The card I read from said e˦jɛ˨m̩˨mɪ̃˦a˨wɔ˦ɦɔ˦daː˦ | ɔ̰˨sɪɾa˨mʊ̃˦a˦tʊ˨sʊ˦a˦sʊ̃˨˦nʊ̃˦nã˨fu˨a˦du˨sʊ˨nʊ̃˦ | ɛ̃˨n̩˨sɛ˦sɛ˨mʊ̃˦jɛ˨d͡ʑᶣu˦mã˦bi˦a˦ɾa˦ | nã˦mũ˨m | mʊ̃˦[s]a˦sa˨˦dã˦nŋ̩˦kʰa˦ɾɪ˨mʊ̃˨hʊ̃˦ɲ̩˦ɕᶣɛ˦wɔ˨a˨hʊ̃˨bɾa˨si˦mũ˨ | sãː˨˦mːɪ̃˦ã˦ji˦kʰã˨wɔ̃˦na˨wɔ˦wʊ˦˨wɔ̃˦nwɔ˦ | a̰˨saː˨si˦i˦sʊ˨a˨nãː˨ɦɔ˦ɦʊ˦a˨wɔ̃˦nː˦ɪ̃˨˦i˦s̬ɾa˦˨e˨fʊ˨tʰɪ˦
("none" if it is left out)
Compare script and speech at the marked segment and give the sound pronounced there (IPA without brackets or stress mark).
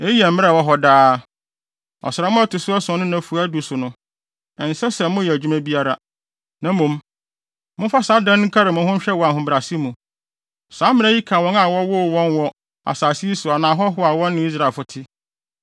f